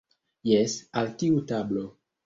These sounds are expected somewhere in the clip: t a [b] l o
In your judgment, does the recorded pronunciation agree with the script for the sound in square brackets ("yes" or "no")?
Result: yes